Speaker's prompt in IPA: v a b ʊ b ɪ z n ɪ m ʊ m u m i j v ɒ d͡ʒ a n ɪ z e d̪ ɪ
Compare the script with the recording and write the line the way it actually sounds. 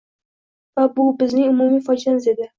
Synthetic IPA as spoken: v a b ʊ b ɪ z n ɪ ŋ ʊ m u m i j f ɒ d͡ʒ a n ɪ z e d̪ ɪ